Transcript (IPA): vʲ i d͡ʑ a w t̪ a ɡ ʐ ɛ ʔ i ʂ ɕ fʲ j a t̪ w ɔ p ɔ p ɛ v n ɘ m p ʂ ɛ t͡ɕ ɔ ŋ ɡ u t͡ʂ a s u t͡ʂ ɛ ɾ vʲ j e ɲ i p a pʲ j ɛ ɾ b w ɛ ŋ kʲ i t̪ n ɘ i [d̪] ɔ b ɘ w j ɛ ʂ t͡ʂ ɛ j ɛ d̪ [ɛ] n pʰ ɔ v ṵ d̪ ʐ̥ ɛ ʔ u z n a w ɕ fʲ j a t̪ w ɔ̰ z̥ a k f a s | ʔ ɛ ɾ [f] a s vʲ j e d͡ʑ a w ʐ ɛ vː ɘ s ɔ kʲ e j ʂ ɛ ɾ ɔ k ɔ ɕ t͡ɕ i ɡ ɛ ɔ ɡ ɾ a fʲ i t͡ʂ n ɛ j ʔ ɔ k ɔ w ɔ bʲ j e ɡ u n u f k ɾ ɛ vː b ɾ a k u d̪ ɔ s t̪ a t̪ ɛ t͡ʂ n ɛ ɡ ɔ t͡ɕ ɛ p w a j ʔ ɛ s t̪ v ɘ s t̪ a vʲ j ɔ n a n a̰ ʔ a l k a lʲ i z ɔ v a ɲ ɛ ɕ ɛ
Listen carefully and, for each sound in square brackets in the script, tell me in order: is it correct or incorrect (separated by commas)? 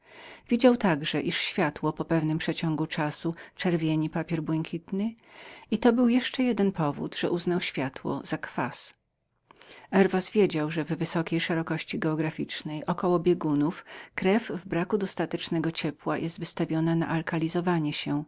incorrect, correct, incorrect